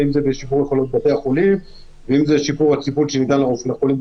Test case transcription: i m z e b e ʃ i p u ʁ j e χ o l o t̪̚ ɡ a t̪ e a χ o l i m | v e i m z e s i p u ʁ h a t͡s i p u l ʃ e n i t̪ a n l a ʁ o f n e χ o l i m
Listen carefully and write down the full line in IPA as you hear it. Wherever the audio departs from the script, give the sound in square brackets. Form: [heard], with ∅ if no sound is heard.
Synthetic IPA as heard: i m z e b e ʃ i p u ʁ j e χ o l o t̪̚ [b] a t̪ e a χ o l i m | v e i m z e [ʃ] i p u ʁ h a t͡s i p u l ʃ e n i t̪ a n l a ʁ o f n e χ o l i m